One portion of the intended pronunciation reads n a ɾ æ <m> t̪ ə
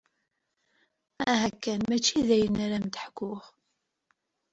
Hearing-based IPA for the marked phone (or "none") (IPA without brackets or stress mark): m